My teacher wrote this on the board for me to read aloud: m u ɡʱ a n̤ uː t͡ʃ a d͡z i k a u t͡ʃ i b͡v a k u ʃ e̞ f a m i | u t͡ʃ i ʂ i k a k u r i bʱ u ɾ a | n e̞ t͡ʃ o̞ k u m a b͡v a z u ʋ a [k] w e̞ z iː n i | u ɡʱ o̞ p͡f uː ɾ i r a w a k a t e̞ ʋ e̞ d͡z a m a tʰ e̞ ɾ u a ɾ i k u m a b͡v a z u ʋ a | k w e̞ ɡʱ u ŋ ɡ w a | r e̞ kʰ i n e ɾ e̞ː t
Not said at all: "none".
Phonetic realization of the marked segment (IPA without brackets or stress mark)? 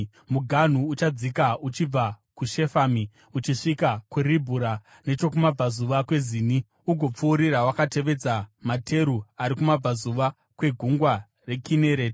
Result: k